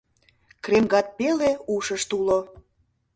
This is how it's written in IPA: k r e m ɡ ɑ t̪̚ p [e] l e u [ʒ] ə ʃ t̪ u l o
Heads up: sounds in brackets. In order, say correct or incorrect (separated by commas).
correct, incorrect